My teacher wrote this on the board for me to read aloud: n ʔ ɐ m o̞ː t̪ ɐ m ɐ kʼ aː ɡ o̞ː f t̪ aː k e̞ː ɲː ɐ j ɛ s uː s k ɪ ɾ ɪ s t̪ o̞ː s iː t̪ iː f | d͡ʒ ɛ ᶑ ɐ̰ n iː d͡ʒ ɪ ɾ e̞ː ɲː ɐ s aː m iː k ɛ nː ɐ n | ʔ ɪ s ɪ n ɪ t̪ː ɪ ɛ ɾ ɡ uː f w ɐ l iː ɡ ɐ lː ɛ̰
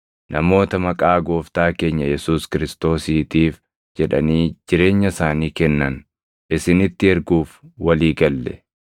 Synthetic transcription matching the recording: n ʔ ɐ m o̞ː t̪ ɐ m ɐ kʼ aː ɡ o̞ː f t̪ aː k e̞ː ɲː ɐ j ɛ s uː s k ɪ ɾ ɪ s t̪ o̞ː s iː t̪ iː f | d͡ʒ ɛ ᶑ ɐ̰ n iː d͡ʒ ɪ ɾ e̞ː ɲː ɐ s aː n iː k ɛ nː ɐ n | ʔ ɪ s ɪ n ɪ t̪ː ɪ ɛ ɾ ɡ uː f w ɐ l iː ɡ ɐ lː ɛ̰